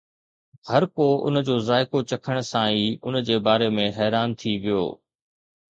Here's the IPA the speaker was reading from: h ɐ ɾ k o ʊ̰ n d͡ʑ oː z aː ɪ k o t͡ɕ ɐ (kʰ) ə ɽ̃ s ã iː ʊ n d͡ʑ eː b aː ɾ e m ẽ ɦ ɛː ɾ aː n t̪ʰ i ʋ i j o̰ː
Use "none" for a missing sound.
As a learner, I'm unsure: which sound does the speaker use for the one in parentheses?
kʰ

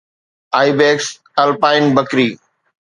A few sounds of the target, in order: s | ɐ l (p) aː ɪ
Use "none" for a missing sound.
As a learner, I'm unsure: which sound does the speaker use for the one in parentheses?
p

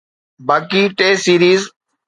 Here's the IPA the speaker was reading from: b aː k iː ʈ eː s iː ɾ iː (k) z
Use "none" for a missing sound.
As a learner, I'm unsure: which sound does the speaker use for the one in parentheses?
none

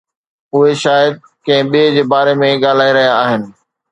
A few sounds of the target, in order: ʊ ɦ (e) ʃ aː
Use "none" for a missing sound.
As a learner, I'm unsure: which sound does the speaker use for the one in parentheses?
e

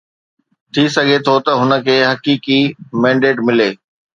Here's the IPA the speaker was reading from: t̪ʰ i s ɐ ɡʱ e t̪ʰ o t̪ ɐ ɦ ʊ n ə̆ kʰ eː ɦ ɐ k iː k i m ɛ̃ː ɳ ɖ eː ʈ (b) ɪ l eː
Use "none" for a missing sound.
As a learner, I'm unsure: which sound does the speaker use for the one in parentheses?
m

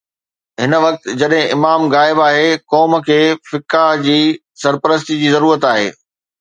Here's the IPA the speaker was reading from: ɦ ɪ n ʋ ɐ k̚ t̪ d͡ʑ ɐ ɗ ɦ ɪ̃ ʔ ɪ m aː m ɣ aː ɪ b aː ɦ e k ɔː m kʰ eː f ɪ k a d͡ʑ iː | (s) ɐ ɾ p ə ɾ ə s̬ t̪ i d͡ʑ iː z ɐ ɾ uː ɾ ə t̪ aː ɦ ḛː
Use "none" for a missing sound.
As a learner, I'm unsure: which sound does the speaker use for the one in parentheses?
s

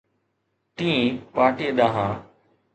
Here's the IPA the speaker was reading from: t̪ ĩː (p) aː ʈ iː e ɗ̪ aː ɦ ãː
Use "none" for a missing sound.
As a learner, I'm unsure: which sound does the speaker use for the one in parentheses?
p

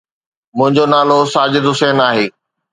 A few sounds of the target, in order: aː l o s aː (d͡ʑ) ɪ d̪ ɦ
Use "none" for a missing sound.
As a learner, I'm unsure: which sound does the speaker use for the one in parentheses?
d͡ʑ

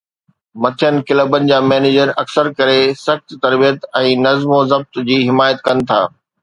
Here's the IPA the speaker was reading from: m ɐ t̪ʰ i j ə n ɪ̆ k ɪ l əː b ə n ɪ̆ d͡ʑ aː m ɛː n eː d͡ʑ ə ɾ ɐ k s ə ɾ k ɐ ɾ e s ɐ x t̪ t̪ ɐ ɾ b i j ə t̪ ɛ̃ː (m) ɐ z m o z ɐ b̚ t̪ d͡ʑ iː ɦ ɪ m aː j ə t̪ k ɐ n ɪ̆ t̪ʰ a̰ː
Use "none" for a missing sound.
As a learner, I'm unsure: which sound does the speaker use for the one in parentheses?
n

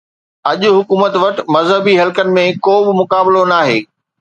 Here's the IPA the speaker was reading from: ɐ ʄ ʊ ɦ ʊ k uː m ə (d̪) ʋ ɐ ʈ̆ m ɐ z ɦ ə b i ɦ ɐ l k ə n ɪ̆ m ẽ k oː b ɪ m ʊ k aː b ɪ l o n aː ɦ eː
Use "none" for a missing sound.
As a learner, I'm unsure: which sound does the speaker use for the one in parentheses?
t̪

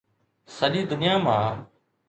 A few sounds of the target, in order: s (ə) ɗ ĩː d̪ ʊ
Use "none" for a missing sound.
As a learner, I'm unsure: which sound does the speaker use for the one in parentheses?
ə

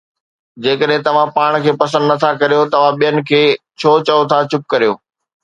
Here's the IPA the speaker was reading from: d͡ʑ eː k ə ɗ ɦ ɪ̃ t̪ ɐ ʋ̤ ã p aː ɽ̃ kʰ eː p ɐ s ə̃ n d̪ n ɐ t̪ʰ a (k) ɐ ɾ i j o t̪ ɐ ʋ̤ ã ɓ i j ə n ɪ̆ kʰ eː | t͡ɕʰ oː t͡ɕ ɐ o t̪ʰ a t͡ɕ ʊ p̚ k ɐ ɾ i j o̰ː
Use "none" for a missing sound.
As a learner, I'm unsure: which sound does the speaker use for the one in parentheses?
k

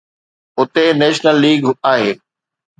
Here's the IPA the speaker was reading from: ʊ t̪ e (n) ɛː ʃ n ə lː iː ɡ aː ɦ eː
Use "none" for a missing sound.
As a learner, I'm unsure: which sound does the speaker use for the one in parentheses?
n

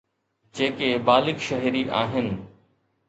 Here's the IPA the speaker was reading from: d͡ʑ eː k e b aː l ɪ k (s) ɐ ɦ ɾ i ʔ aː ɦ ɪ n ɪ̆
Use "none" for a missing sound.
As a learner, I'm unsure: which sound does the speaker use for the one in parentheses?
ʃ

